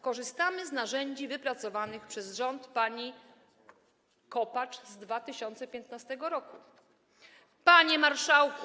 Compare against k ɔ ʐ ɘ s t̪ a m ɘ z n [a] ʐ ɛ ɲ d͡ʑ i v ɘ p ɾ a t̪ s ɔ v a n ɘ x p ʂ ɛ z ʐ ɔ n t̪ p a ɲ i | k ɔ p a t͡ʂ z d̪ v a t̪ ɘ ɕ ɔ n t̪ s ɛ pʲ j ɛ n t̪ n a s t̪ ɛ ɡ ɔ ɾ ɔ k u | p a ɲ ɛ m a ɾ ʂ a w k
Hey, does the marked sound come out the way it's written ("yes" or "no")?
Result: yes